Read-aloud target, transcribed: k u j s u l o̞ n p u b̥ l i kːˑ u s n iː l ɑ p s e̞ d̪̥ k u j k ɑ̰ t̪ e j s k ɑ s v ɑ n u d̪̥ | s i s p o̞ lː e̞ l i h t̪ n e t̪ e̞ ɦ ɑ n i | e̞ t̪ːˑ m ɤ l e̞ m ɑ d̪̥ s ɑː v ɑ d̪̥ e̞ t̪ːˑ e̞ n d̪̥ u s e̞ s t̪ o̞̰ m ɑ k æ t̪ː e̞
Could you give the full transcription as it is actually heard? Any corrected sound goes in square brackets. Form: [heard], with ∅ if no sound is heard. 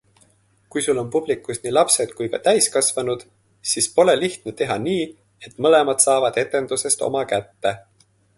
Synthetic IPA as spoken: k u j s u l o̞ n p u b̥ l i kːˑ u s n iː l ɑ p s e̞ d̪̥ k u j k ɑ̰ t̪ [æ] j s k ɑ s v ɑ n u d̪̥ | s i s p o̞ [l] e̞ l i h t̪ n e t̪ e̞ ɦ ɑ n [iː] | e̞ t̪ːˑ m ɤ l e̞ m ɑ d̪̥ s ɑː v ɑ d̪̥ e̞ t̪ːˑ e̞ n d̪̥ u s e̞ s t̪ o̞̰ m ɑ k æ t̪ː e̞